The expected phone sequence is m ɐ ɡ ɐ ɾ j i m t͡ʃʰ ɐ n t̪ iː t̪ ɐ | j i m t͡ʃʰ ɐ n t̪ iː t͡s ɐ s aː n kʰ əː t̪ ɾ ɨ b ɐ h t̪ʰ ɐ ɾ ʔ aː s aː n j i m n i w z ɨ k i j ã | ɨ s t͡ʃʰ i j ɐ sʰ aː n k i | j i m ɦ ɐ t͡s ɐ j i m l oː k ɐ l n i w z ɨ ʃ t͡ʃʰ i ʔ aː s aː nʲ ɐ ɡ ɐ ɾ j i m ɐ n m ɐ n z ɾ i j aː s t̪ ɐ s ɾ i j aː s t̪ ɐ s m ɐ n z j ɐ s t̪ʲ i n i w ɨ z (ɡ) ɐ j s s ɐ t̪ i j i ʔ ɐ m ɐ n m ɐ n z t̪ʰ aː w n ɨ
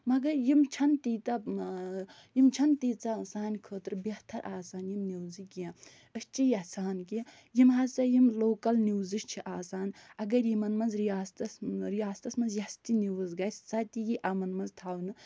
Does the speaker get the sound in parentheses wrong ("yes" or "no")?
no